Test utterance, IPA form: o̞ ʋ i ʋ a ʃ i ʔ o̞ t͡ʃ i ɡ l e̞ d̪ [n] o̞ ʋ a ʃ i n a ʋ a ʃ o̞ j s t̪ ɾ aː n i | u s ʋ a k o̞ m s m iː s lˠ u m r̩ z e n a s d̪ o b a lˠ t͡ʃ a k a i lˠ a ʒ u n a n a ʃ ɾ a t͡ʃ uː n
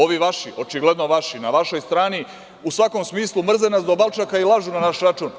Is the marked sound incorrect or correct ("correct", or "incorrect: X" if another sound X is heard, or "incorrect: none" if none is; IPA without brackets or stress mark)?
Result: correct